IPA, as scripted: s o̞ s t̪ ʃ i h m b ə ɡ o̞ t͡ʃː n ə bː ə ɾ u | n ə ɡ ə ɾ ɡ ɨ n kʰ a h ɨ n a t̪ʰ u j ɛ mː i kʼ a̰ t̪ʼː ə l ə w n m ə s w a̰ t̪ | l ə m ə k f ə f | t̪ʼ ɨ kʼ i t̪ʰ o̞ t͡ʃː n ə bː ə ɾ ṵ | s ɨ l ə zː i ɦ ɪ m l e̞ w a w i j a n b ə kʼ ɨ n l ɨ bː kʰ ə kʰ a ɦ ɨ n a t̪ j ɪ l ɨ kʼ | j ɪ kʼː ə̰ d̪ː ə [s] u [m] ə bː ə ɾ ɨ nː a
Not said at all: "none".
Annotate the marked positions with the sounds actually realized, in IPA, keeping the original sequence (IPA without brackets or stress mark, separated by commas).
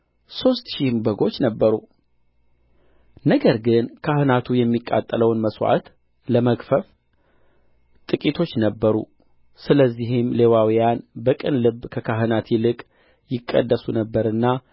s, n